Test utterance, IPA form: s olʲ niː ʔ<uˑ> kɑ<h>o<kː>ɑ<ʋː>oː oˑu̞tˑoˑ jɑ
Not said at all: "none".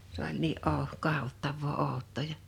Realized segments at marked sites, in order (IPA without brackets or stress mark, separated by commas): oˑ, h, tː, ʋː